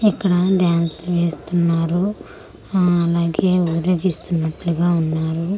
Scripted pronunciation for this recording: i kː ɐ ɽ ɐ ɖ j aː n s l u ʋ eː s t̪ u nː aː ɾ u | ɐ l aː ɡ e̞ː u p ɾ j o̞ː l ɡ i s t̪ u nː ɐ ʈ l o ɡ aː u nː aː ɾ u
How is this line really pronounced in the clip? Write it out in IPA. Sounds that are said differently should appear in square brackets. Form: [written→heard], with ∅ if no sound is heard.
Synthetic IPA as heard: i kː ɐ ɽ ɐ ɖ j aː n s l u ʋ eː s t̪ u nː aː ɾ u | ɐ l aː ɡ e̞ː u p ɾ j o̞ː [l→∅] ɡ i s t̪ u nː ɐ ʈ l [o→u] ɡ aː u nː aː ɾ u